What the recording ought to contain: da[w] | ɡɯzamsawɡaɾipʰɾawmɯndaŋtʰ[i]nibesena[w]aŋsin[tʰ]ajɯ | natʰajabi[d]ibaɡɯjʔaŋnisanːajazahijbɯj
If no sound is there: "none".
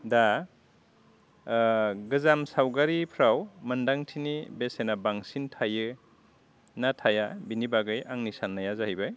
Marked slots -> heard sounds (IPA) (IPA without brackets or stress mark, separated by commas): none, i, b, tʰ, n